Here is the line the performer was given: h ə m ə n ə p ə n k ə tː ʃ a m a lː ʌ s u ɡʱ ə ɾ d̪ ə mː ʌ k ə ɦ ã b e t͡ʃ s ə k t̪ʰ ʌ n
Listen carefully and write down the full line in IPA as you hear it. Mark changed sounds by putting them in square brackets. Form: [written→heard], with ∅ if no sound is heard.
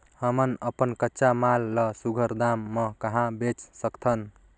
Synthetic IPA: h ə m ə n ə p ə n k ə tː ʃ a m a lː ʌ s u ɡʱ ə ɾ d̪ [ə→a] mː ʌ k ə ɦ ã b e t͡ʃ s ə k t̪ʰ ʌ n